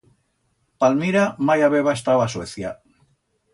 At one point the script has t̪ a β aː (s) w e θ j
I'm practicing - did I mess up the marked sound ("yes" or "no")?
no